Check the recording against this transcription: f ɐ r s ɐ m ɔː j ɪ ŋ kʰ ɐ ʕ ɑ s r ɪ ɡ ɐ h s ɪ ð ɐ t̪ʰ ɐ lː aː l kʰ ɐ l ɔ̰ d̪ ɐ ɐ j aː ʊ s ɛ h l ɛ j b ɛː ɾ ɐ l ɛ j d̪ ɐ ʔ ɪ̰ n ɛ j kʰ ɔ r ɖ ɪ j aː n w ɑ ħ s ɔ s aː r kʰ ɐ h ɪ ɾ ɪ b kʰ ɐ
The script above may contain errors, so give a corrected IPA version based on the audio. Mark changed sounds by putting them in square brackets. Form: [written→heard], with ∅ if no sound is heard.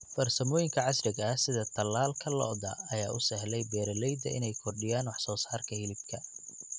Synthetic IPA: f ɐ r s ɐ m ɔː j ɪ ŋ kʰ ɐ ʕ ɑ s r ɪ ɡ ɐ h s ɪ ð ɐ t̪ʰ ɐ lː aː l kʰ ɐ l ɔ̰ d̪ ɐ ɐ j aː ʊ s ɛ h l ɛ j b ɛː ɾ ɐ l ɛ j d̪ ɐ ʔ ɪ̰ n ɛ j kʰ ɔ r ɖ ɪ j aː n w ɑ ħ s [ɔ→ɔː] s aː r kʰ ɐ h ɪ [ɾ→l] ɪ b kʰ ɐ